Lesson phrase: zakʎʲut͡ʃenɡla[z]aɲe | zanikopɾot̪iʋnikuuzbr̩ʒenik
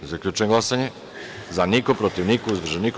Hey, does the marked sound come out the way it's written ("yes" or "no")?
no